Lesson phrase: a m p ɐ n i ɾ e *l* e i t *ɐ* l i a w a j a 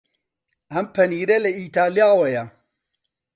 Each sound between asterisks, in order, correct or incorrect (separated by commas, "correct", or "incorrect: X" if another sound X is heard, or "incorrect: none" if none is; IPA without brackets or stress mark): correct, incorrect: a